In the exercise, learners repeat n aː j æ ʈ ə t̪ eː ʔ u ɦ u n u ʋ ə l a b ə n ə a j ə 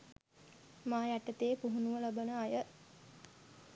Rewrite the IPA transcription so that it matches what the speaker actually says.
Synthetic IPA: m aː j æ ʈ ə t̪ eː p u ɦ u n u ʋ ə l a b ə n ə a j ə